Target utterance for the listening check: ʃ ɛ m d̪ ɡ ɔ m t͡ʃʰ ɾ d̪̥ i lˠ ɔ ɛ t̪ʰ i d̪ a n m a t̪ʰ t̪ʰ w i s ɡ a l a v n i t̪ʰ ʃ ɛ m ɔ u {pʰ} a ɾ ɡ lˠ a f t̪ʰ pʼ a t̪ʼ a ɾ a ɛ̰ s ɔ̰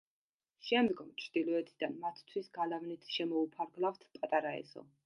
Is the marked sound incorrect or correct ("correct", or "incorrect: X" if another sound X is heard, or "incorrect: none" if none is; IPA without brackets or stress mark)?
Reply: correct